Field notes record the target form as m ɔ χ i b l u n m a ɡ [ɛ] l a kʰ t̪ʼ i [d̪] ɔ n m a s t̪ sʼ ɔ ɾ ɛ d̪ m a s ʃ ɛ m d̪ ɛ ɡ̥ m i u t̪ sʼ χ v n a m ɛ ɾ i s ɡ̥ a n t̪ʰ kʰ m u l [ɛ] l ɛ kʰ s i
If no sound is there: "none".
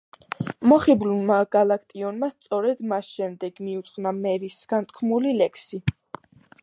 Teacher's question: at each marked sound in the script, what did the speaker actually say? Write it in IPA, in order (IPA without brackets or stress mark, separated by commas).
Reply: a, none, i